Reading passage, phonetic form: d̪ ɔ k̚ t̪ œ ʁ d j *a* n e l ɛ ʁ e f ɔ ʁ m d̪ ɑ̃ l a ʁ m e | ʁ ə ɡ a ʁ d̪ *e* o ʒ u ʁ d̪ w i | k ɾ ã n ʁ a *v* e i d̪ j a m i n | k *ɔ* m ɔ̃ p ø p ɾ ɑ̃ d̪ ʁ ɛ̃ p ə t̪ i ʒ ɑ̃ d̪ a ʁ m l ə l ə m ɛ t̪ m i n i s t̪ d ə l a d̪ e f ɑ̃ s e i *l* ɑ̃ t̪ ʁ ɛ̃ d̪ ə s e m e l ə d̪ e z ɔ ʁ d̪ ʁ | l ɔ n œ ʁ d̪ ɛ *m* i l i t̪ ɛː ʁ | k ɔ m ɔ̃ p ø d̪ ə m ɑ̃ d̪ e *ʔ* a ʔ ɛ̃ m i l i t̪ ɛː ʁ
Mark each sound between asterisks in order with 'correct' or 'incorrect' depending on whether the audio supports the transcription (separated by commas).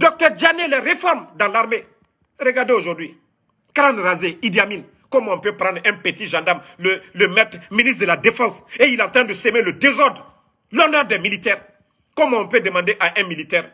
correct, correct, incorrect, correct, correct, correct, correct